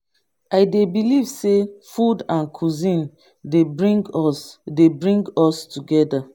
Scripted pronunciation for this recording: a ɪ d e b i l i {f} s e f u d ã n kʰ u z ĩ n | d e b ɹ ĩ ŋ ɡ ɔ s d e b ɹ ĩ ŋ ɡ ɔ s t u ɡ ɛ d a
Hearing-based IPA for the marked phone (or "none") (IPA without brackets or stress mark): v